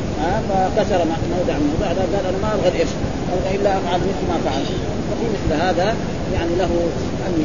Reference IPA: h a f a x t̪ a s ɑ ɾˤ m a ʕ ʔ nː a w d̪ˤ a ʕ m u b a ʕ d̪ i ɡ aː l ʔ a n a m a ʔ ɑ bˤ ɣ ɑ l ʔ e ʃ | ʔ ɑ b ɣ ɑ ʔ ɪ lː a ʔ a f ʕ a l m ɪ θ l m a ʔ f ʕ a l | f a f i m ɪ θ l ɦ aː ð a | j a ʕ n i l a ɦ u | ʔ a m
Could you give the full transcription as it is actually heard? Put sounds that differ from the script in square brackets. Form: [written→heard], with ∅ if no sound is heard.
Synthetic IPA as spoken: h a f a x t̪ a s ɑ ɾˤ m a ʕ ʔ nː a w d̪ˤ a ʕ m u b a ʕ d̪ [i→a] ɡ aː l ʔ a n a m a ʔ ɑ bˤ ɣ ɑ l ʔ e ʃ | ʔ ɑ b ɣ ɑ ʔ ɪ lː a ʔ a f ʕ a l m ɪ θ l m a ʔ f ʕ a l | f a f i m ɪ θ l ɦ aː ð a | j a ʕ n i l a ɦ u | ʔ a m